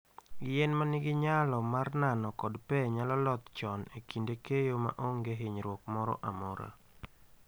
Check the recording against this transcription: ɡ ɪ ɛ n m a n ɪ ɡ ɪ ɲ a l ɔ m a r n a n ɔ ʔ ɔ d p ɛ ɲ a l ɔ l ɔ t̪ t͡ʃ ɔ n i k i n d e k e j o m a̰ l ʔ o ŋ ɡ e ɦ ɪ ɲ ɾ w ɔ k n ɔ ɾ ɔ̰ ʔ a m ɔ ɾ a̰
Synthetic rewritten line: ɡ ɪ ɛ n m a n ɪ ɡ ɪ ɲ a l ɔ m a r n a n ɔ k ɔ d p ɛ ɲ a l ɔ l ɔ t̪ t͡ʃ ɔ n e k i n d e k e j o m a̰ ʔ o ŋ ɡ e ɦ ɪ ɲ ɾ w ɔ k m ɔ ɾ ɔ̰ ʔ a m ɔ ɾ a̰